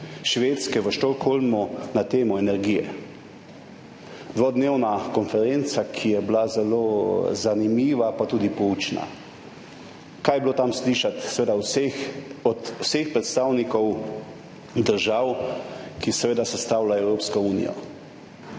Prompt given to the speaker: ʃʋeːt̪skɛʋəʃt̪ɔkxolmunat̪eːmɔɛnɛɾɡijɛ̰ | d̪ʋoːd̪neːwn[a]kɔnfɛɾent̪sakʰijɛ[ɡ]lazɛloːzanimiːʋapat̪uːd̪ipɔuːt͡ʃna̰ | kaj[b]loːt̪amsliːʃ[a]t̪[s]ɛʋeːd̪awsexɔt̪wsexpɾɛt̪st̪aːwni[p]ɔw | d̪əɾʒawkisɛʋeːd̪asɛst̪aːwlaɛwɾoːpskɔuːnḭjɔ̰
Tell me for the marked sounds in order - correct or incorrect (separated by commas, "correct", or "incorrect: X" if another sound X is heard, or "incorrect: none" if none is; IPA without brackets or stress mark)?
correct, incorrect: b, correct, correct, correct, incorrect: k